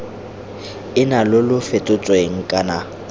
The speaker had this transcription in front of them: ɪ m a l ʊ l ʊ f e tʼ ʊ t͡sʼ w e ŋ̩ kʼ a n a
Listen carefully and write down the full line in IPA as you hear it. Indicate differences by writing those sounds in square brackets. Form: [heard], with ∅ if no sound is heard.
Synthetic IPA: ɪ [n] a l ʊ l ʊ f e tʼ ʊ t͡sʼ w e ŋ̩ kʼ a n a